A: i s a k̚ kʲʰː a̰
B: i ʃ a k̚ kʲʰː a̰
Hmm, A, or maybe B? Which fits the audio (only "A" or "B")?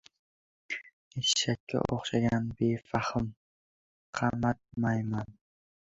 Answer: B